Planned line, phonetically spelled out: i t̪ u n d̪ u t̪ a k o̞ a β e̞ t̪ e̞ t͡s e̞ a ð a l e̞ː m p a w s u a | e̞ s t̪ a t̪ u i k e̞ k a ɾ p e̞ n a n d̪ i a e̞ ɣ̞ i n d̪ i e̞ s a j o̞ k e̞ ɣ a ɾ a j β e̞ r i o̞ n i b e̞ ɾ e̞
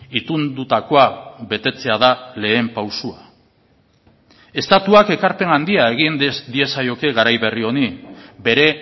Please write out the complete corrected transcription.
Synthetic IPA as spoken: i t̪ u n d̪ u t̪ a k o̞ a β e̞ t̪ e̞ t͡s e̞ a ð a l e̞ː m p a w s u a | e̞ s t̪ a t̪ u a k e̞ k a ɾ p e̞ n a n d̪ i a e̞ ɣ̞ i n d̪ i e̞ s a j o̞ k e̞ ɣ a ɾ a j β e̞ r i o̞ n i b e̞ ɾ e̞

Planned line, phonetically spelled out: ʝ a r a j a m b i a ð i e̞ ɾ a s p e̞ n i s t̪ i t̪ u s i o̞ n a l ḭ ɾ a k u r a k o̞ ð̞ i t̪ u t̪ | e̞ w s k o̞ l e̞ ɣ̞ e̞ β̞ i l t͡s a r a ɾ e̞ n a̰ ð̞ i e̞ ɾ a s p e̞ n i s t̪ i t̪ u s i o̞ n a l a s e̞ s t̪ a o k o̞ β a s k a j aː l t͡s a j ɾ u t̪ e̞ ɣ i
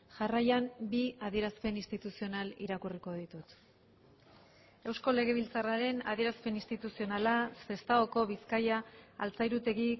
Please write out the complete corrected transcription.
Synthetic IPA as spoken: ʝ a r a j a m b i a ð i e̞ ɾ a s p e̞ n i s t̪ i t̪ u s i o̞ n a l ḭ ɾ a k u r i k o̞ ð̞ i t̪ u t̪ | e̞ w s k o̞ l e̞ ɣ̞ e̞ β̞ i l t͡s a r a ɾ e̞ n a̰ ð̞ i e̞ ɾ a s p e̞ n i s t̪ i t̪ u s i o̞ n a l a s e̞ s t̪ a o k o̞ β i s k a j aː l t͡s a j ɾ u t̪ e̞ ɣ i

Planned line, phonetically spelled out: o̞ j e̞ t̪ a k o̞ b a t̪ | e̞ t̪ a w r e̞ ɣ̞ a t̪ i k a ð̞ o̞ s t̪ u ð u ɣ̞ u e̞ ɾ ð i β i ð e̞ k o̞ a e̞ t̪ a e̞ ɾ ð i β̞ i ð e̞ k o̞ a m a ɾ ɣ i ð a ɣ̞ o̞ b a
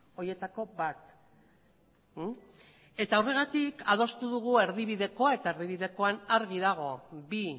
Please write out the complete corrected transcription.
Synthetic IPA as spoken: o̞ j e̞ t̪ a k o̞ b a t̪ | e̞ t̪ a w r e̞ ɣ̞ a t̪ i k a ð̞ o̞ s t̪ u ð u ɣ̞ u e̞ ɾ ð i β i ð e̞ k o̞ a e̞ t̪ a e̞ ɾ ð i β̞ i ð e̞ k o̞ a n a ɾ ɣ i ð a ɣ̞ o̞ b i

